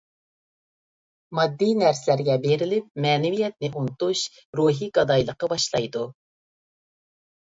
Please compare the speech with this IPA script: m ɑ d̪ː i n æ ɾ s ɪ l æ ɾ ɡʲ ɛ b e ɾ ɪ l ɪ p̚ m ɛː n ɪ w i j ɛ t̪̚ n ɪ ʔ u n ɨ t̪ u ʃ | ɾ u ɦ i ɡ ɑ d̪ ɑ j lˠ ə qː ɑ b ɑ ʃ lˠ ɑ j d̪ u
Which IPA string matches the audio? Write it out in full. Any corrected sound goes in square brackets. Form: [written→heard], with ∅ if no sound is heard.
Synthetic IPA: m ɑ d̪ː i n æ ɾ s ɪ l æ ɾ ɡʲ ɛ b e ɾ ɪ l ɪ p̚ m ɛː n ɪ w i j ɛ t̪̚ n ɪ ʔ u n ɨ t̪ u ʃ | ɾ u ɦ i ɡ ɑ d̪ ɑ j lˠ ə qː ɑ b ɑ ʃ lˠ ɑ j d̪ u

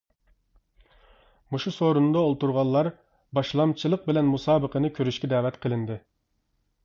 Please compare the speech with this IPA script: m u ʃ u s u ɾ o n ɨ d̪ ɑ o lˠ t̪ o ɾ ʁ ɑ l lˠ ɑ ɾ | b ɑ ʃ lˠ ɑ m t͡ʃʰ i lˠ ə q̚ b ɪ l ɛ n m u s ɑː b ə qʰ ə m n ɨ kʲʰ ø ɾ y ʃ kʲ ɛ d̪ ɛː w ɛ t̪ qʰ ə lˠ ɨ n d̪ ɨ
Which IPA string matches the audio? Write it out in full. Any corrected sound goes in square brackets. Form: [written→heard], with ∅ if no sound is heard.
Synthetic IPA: m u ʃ u s [u→o] ɾ [o→u] n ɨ d̪ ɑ o lˠ t̪ [o→u] ɾ ʁ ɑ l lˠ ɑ ɾ | b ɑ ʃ lˠ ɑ m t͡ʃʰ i lˠ ə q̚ b ɪ l ɛ n m u s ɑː b ə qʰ ə [m→∅] n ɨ kʲʰ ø ɾ y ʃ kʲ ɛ d̪ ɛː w ɛ t̪ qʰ ə lˠ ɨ n d̪ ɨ

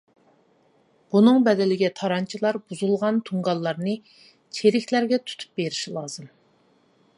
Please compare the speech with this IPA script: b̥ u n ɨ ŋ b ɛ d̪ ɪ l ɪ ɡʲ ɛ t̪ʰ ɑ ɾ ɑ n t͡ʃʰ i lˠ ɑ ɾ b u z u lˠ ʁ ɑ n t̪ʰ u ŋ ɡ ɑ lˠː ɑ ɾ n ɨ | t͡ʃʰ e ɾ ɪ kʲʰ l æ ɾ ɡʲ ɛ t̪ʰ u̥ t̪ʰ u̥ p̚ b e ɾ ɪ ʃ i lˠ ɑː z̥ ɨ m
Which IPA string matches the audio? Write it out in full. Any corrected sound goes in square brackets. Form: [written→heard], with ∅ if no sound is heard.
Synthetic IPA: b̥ u n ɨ ŋ b ɛ d̪ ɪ l ɪ ɡʲ ɛ t̪ʰ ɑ ɾ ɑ n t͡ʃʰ i lˠ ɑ ɾ b u z u lˠ ʁ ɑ n t̪ʰ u ŋ ɡ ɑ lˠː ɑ ɾ n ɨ | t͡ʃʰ e ɾ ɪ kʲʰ l æ ɾ ɡʲ ɛ t̪ʰ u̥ t̪ʰ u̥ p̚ b e ɾ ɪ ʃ i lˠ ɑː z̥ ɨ m

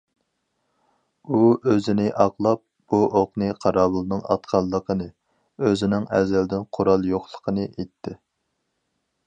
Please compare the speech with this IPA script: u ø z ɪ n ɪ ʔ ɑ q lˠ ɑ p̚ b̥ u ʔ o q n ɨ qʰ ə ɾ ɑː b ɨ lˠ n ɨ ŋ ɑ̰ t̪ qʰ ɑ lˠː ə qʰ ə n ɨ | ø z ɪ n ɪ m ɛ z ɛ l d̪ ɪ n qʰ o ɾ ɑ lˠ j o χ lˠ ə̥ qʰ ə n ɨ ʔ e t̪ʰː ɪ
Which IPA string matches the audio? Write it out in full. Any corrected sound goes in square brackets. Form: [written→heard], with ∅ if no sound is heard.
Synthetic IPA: u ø z ɪ n ɪ ʔ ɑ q lˠ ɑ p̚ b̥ u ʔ o q n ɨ qʰ [ə→ɑ] ɾ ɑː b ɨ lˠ n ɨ ŋ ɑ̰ t̪ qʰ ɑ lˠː ə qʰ ə n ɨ | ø z ɪ n ɪ [m→ŋ] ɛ z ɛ l d̪ ɪ n qʰ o ɾ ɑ lˠ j o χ lˠ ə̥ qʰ ə n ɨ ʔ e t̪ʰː ɪ

